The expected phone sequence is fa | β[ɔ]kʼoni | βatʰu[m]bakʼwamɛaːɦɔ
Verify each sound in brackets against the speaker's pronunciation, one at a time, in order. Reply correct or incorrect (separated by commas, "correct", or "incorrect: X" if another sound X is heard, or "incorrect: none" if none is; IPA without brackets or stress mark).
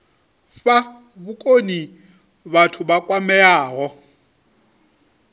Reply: incorrect: u, incorrect: none